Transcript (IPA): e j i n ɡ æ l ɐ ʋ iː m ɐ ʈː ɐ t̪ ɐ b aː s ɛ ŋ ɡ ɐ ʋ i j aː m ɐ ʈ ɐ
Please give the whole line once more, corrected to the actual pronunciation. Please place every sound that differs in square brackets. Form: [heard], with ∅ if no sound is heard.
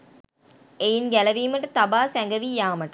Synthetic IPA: e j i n ɡ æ l ɐ ʋ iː m ɐ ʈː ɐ t̪ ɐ b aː s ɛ ŋ ɡ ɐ ʋ i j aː m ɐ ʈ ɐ